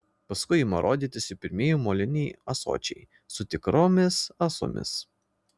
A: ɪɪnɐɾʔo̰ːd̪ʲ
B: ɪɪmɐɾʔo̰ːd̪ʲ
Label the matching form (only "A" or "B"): B